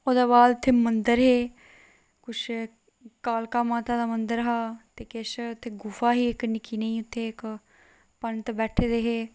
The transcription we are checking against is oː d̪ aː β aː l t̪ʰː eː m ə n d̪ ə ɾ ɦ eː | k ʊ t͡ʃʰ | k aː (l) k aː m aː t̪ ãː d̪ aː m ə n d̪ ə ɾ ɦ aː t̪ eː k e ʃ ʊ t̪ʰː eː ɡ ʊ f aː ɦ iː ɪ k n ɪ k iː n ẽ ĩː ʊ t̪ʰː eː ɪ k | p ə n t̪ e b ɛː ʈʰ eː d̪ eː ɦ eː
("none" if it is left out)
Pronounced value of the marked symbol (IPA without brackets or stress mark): l